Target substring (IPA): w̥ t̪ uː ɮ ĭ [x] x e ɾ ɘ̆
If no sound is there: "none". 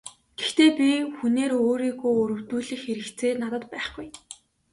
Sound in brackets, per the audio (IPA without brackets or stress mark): x